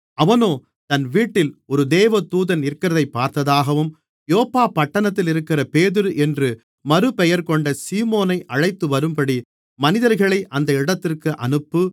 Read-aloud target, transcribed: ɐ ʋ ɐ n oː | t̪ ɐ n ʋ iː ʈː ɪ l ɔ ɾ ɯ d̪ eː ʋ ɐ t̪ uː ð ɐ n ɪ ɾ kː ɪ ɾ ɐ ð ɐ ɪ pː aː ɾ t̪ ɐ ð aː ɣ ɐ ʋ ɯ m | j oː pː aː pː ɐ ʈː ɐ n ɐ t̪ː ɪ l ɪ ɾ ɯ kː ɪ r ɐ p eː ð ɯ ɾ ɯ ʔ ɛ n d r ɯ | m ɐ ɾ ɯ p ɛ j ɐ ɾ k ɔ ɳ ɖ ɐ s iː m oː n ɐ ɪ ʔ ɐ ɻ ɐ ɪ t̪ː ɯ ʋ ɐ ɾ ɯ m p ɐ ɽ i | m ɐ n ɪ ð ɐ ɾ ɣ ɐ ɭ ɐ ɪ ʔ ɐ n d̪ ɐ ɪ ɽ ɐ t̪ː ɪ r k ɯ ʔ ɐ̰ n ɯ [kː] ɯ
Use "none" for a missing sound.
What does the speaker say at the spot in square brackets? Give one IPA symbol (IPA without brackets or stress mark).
pː